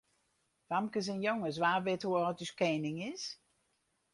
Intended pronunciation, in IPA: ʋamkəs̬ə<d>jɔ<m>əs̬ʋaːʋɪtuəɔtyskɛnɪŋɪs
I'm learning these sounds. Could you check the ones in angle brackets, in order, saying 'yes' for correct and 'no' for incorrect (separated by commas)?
no, no